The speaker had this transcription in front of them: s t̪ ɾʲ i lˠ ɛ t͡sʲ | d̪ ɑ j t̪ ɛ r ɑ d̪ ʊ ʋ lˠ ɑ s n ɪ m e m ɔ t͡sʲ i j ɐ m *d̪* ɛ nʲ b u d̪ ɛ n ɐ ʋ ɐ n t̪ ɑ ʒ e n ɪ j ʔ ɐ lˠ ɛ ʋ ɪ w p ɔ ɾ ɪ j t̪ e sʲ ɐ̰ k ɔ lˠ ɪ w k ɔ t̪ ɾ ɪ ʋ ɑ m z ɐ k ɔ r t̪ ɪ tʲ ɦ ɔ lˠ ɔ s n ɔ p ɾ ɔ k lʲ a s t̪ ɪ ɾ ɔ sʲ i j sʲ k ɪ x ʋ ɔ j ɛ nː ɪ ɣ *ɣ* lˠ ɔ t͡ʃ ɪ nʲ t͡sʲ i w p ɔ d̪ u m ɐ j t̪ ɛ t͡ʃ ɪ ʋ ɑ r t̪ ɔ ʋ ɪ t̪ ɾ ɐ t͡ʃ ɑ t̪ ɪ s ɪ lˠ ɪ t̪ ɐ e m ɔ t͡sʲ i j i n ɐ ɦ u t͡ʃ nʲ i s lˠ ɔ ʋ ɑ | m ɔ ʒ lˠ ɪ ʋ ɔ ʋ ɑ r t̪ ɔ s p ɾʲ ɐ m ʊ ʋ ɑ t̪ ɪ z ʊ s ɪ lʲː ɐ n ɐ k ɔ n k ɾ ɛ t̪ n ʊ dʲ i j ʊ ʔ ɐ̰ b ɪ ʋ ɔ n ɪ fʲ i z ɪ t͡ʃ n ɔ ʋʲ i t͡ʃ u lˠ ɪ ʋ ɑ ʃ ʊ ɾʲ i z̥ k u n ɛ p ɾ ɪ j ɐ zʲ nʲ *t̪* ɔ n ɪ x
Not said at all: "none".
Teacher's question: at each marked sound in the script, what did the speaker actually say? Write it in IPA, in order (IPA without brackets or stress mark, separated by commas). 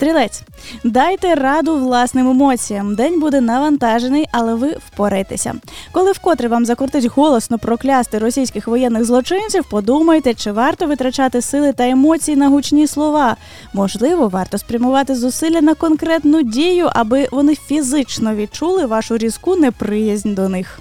d̪, z, d̪